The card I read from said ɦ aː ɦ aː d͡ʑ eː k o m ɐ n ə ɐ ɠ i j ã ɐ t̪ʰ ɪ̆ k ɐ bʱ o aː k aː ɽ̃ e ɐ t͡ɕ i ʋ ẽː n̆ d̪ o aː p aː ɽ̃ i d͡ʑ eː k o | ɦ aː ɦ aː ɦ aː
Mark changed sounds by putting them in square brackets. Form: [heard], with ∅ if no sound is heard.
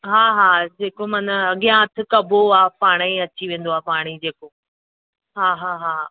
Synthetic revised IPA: ɦ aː ɦ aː d͡ʑ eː k o m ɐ n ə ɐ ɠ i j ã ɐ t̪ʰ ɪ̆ k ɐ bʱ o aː [p] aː ɽ̃ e ɐ t͡ɕ i ʋ ẽː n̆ d̪ o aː p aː ɽ̃ i d͡ʑ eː k o | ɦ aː ɦ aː ɦ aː